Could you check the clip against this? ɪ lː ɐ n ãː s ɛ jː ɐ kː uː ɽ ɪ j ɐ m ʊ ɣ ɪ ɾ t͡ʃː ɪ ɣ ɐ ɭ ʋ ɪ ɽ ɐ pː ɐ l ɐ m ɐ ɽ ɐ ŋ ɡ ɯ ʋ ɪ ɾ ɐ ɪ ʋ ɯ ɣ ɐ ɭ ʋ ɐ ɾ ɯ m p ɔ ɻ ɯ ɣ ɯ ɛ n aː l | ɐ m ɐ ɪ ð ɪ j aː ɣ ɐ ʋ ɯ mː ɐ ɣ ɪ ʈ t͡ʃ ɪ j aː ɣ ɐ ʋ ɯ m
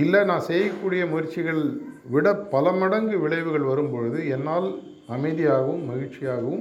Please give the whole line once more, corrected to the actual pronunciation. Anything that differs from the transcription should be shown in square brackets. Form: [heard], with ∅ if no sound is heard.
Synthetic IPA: ɪ lː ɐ n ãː s ɛ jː ɐ kː uː ɽ ɪ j ɐ m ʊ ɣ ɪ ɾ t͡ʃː ɪ ɣ ɐ ɭ ʋ ɪ ɽ ɐ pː ɐ l ɐ m ɐ ɽ ɐ ŋ ɡ ɯ ʋ ɪ [ɭ] ɐ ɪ ʋ ɯ ɣ ɐ ɭ ʋ ɐ ɾ ɯ m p ɔ ɻ ɯ [ð] ɯ ɛ [nː] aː l | ɐ m ɐ ɪ ð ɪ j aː ɣ ɐ ʋ ɯ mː ɐ ɣ ɪ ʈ t͡ʃ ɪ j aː ɣ ɐ ʋ ɯ m